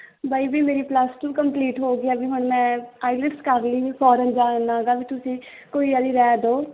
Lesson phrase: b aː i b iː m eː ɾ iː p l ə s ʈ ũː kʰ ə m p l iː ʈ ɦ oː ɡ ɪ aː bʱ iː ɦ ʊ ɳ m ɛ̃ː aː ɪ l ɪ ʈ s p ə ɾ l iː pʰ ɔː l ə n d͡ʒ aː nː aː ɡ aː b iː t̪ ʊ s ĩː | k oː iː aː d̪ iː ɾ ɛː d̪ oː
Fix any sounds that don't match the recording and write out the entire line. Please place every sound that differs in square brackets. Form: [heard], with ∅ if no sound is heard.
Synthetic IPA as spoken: b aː i b iː m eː ɾ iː p l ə s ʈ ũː [k] ə m p l iː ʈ ɦ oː ɡ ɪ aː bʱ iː ɦ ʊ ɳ m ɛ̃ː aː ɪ l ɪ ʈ s [k] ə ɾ l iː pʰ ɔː [ɾ] ə n d͡ʒ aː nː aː ɡ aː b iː t̪ ʊ s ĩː | k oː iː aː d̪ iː ɾ ɛː d̪ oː